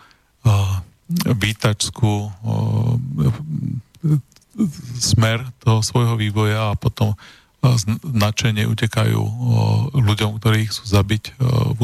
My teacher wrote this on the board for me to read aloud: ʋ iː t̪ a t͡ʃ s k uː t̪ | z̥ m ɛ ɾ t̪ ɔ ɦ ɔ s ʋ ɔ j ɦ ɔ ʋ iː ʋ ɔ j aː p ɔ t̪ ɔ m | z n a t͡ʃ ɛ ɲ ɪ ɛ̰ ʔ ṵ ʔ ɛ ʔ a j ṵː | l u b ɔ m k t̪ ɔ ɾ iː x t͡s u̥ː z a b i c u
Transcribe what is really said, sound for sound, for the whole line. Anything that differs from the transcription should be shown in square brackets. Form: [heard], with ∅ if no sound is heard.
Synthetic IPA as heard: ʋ iː t̪ a t͡ʃ s k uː [∅] | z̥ m ɛ ɾ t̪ ɔ ɦ ɔ s ʋ ɔ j ɦ ɔ ʋ iː ʋ ɔ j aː p ɔ t̪ ɔ m | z n a t͡ʃ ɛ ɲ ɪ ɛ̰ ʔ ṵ [c] ɛ [k] a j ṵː | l u [ɟ] ɔ m k t̪ ɔ ɾ iː x t͡s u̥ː z a b i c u